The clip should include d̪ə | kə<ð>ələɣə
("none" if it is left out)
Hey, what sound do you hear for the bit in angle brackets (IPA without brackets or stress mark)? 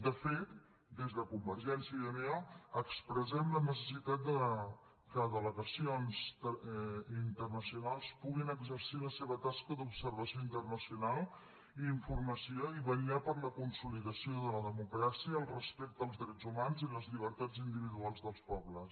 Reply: ð